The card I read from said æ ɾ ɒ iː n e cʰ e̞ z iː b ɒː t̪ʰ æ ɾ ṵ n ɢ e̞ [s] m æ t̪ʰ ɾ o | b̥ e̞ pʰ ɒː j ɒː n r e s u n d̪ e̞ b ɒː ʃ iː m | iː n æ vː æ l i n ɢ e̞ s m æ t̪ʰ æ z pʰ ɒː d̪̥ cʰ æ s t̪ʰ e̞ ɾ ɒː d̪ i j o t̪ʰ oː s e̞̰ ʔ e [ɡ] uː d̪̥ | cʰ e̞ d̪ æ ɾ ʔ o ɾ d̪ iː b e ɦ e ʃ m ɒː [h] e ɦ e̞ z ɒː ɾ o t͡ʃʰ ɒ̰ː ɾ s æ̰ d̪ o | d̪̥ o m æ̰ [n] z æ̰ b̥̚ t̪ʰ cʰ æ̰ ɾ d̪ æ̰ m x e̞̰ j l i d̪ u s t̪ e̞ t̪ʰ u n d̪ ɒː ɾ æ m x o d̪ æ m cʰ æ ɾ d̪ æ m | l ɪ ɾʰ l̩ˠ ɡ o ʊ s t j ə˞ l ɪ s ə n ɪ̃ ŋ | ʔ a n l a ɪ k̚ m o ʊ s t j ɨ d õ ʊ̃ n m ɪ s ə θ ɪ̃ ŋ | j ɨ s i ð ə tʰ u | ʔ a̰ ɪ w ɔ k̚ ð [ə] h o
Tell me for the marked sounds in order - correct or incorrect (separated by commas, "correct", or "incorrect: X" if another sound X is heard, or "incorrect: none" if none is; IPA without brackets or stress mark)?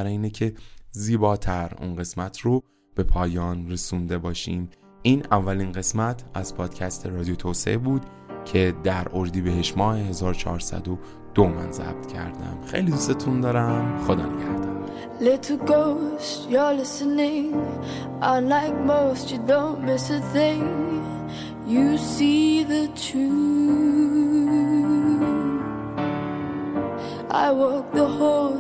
correct, incorrect: b, correct, correct, correct